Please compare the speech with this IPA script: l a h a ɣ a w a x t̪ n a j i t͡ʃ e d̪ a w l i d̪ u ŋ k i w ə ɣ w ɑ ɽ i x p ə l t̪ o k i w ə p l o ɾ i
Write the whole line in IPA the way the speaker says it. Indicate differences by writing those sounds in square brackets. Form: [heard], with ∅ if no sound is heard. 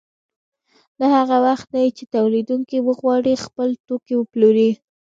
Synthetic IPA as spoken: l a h a ɣ a w a x t̪ n a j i t͡ʃ e [t̪] a w l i d̪ u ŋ k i w ə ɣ w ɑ ɽ i x p ə l t̪ o k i w ə p l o ɾ i